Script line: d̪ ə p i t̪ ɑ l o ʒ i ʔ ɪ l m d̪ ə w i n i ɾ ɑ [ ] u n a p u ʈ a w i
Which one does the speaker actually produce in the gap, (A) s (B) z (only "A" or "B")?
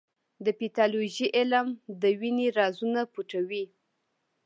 B